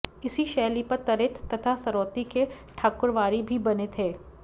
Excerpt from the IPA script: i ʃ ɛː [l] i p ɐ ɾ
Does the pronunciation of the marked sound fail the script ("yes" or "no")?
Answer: no